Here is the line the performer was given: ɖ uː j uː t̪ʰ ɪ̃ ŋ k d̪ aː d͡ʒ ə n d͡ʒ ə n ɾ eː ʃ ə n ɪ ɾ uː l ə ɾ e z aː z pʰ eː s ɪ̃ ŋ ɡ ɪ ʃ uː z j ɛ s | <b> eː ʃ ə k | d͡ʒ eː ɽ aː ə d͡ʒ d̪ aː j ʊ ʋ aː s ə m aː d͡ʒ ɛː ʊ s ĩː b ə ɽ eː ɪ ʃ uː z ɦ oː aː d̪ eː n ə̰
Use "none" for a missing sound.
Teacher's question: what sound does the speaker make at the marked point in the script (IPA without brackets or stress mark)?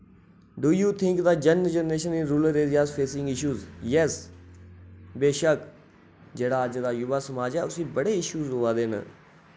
b